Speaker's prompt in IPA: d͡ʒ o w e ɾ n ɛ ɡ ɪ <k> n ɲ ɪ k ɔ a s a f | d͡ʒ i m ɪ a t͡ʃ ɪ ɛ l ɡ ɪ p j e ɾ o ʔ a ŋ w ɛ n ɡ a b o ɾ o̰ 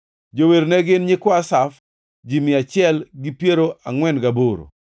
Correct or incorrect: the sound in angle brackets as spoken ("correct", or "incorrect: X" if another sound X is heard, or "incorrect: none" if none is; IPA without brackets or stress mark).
incorrect: none